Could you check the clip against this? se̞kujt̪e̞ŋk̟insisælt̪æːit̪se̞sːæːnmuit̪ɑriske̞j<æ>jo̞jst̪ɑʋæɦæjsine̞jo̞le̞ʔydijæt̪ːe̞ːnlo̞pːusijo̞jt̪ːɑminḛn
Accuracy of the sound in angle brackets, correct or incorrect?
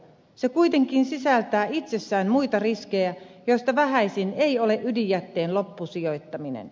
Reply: correct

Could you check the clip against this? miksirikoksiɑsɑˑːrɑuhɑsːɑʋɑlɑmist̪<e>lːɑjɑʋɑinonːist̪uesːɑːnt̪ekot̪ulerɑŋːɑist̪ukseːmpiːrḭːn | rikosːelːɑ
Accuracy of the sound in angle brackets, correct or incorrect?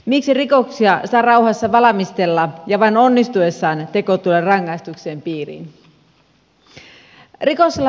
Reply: correct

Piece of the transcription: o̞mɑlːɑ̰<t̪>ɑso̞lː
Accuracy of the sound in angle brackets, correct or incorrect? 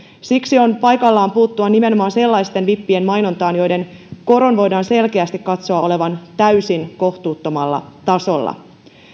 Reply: correct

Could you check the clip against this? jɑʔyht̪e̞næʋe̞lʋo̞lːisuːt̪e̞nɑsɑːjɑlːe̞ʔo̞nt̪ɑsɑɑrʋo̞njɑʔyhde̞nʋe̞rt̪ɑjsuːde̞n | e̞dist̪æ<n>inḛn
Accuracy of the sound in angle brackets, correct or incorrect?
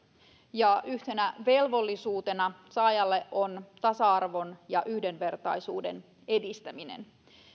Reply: incorrect: m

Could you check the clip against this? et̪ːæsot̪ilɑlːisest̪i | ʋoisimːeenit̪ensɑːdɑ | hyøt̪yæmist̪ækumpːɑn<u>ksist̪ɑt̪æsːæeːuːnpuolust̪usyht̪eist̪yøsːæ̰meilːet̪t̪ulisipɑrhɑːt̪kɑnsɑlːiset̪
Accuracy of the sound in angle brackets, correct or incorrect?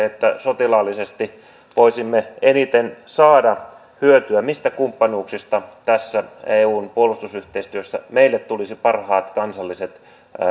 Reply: incorrect: uː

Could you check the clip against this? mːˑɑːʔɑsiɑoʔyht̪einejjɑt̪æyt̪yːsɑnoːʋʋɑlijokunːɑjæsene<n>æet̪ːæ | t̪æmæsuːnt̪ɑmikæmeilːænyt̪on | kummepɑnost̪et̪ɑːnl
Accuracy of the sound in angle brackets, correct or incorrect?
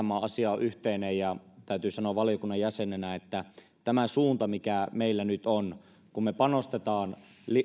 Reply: correct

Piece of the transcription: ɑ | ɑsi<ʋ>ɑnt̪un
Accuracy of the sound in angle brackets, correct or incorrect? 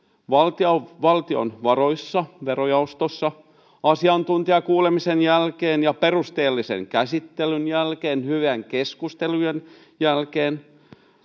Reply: incorrect: none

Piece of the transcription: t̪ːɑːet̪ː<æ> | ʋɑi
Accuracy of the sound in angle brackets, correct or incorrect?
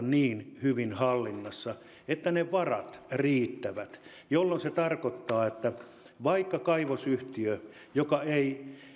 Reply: correct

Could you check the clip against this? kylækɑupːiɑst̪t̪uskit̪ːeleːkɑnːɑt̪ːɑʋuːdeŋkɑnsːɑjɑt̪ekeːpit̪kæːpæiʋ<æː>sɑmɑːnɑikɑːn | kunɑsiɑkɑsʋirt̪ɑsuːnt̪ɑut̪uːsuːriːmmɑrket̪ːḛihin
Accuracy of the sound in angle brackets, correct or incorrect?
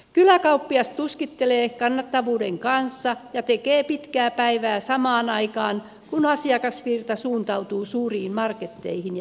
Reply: correct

